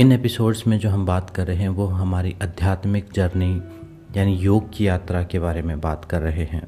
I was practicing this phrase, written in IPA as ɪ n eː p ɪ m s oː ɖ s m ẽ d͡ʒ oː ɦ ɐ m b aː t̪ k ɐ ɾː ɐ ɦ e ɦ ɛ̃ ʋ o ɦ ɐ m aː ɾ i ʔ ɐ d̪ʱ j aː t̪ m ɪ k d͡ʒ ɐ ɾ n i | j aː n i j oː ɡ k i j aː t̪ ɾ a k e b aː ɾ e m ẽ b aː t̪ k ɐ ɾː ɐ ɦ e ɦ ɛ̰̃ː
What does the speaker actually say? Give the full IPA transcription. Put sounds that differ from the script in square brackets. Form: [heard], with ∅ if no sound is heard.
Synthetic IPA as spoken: ɪ n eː p ɪ [∅] s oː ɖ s m ẽ d͡ʒ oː ɦ ɐ m b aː t̪ k ɐ ɾː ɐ ɦ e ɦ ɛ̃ ʋ o ɦ ɐ m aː ɾ i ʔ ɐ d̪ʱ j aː t̪ m ɪ k d͡ʒ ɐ ɾ n i | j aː n i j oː ɡ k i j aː t̪ ɾ a k e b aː ɾ e m ẽ b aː t̪ k ɐ ɾː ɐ ɦ e ɦ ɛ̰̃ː